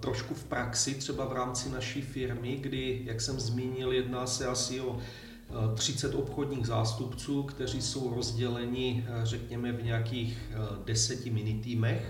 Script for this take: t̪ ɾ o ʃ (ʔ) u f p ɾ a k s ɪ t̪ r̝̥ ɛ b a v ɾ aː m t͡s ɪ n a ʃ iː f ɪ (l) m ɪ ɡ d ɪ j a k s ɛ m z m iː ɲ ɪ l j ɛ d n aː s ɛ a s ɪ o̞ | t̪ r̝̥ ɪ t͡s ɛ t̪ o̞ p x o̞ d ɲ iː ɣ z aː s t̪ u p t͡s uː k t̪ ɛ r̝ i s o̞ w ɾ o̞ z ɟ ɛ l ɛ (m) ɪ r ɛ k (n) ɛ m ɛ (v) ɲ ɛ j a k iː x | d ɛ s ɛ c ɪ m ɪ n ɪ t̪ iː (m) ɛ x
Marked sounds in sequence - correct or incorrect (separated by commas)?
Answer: incorrect, incorrect, incorrect, incorrect, correct, correct